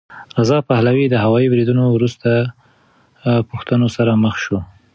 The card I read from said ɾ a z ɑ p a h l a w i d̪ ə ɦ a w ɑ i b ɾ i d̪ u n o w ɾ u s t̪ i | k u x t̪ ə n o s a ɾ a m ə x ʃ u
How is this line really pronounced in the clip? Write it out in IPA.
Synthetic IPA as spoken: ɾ a z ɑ p a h l a w i d̪ ə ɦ a w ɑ i b ɾ i d̪ u n o w ɾ u s t̪ a | p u x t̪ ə n o s a ɾ a m ə x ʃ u